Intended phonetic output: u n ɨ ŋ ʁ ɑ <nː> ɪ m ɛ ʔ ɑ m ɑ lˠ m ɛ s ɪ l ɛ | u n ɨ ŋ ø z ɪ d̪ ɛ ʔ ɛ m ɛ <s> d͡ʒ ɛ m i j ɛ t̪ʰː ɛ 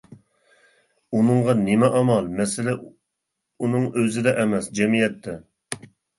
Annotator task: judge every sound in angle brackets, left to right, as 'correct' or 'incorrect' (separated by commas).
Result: incorrect, correct